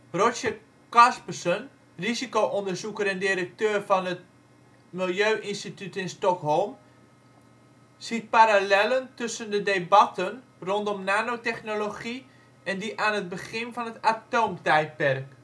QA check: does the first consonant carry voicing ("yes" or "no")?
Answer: yes